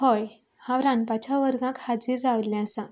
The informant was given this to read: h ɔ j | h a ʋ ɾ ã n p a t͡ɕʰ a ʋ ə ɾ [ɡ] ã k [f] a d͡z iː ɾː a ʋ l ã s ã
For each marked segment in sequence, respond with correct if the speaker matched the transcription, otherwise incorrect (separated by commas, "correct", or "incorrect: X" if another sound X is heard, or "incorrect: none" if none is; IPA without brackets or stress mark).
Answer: correct, incorrect: h